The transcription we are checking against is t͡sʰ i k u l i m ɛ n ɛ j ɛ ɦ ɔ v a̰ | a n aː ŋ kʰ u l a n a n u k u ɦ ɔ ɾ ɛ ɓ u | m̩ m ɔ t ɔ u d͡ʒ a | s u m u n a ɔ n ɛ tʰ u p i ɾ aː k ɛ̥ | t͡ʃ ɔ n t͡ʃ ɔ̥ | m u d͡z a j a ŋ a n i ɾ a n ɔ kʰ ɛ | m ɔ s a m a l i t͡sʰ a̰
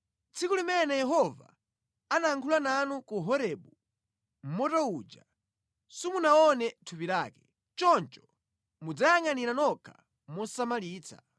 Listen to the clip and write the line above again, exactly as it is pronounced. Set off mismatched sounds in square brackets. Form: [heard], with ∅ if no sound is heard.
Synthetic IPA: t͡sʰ i k u l i m ɛ n ɛ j ɛ ɦ ɔ v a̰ | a n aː ŋ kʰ u l a n a n u k u ɦ ɔ ɾ ɛ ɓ u | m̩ m ɔ t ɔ u d͡ʒ a | s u m u n a ɔ n ɛ tʰ u p i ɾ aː k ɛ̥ | t͡ʃ ɔ n t͡ʃ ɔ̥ | m u d͡z a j a ŋ a n i ɾ a n ɔ kʰ [a] | m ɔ s a m a l [iː] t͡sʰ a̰